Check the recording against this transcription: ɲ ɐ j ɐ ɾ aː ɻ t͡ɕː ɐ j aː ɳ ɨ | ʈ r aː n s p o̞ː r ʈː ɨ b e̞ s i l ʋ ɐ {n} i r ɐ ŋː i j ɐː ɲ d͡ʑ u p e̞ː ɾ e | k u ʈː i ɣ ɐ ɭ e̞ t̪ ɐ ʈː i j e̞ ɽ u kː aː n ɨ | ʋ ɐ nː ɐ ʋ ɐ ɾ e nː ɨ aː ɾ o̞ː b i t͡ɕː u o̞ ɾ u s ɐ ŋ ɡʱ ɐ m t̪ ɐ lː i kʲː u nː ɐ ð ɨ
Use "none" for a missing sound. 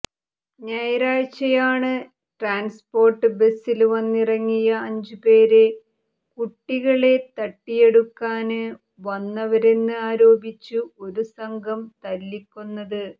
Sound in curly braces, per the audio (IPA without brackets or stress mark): nː